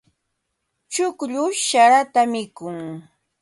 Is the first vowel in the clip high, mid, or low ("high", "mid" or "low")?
high